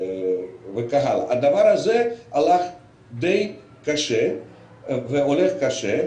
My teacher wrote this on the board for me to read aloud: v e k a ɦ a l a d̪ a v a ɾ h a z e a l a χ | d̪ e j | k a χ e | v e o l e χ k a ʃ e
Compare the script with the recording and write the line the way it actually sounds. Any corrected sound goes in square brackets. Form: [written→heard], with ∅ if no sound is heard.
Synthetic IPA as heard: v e k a ɦ a l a d̪ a v a ɾ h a z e a l a χ | d̪ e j | k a [χ→ʃ] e | v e o l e χ k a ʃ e

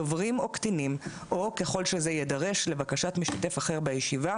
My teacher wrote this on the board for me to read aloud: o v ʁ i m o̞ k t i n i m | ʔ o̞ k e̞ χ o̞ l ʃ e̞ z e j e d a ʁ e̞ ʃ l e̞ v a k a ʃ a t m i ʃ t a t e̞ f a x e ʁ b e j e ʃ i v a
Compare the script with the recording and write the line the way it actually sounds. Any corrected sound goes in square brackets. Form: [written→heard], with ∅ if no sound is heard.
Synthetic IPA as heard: o v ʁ i m o̞ k t i n i m | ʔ o̞ k e̞ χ o̞ l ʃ e̞ z e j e d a ʁ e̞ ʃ l e̞ v a k a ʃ a t m i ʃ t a t e̞ f a [x→χ] e ʁ b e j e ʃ i v a

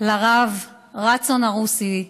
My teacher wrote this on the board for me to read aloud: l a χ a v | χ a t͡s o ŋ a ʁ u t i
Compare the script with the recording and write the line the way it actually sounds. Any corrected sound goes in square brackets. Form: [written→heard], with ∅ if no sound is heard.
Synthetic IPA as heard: l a [χ→ʁ] a v | [χ→ʁ] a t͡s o [ŋ→n] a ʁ u [t→s] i

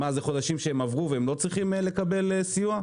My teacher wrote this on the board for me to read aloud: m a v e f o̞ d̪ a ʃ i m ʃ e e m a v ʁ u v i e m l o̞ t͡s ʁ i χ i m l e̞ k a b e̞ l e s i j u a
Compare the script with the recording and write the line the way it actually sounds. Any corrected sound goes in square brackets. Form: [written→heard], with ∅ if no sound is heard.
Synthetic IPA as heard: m a [v→z] e [f→χ] o̞ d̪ a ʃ i m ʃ e e m a v ʁ u v [i→e] e m l o̞ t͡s ʁ i χ i m l e̞ k a b e̞ l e s i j u a

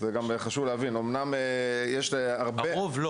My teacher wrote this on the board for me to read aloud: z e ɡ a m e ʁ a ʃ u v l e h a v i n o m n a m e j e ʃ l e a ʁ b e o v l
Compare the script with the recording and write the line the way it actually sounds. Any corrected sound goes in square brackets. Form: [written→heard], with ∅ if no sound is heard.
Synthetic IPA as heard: z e ɡ a m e [ʁ→χ] a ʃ u v l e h a v i n o m n a m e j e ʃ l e a ʁ b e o v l

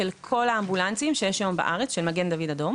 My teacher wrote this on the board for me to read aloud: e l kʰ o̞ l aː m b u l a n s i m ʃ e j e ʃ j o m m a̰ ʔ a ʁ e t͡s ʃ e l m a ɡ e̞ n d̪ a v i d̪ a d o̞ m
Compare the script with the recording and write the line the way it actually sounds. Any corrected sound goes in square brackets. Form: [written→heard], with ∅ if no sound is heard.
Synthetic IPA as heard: e l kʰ o̞ l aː m b u l a n [s→t͡s] i m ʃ e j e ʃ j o m [m→b] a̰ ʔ a ʁ e t͡s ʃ e l m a ɡ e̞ n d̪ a v i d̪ a d o̞ m

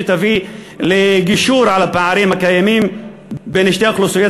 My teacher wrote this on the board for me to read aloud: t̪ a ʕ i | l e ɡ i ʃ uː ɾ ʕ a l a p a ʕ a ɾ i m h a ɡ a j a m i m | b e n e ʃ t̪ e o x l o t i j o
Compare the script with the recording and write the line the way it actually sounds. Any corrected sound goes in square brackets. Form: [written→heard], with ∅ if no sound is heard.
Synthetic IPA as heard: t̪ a [ʕ→v] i | l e ɡ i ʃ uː ɾ ʕ a l a p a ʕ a ɾ i m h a [ɡ→k] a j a m i m | b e n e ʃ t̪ e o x l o [t→s] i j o

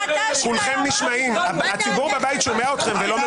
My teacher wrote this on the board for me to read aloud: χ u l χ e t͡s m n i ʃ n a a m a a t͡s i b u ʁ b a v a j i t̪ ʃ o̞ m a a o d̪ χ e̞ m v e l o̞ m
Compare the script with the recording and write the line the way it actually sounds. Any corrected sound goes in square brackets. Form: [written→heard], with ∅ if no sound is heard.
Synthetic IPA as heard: [χ→s] u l χ e [t͡s→∅] m n i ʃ [n→m] a [a→i] m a a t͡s i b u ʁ b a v a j i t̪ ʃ o̞ m [a→e] a o [d̪→t̪] χ e̞ m v e l o̞ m

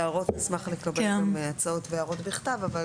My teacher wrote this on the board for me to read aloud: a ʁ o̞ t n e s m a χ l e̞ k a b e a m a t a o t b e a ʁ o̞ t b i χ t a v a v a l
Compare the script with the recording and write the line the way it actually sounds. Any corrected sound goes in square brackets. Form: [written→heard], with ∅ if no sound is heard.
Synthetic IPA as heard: a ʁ o̞ t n [e→i] s m a χ l e̞ k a b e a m a [t→t͡s] a o t [b→v] e a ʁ o̞ t b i χ t a v a v a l

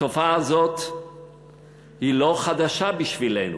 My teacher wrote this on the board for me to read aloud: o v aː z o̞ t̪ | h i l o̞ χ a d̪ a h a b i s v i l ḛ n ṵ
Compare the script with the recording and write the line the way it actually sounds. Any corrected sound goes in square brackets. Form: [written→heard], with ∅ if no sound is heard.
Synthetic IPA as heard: o [v→f] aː z o̞ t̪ | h i l o̞ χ a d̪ a [h→ʃ] a b i [s→ʃ] v i l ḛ n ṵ

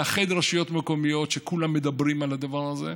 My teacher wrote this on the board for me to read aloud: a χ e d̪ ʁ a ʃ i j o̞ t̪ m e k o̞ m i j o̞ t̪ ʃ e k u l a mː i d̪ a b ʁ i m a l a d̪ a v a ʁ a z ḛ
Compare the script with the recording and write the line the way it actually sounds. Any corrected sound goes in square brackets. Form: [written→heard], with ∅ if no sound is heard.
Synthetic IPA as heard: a χ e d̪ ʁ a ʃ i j o̞ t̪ m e k o̞ m i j o̞ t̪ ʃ e k u l a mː [i→e] d̪ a b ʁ i m a l a d̪ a v a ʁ a z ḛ

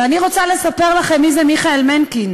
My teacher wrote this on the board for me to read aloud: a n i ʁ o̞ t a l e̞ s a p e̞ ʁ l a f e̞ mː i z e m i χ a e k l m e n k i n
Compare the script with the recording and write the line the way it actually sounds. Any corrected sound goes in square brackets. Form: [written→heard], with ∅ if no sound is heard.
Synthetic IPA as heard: a n i ʁ o̞ [t→t͡s] a l e̞ s a p e̞ ʁ l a [f→χ] e̞ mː i z e m i χ a e [k→∅] l m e n k i n

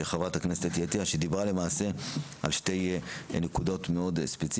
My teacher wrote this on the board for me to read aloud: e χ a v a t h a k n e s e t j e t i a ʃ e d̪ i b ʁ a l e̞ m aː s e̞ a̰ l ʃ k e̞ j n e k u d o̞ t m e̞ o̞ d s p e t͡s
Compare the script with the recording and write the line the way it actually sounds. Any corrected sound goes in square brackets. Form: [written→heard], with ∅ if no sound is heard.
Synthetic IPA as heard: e χ a v a t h a k n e s e t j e t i a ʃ e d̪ i b ʁ a l e̞ m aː s e̞ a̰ l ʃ [k→t] e̞ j n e k u d o̞ t m e̞ o̞ d s p e t͡s

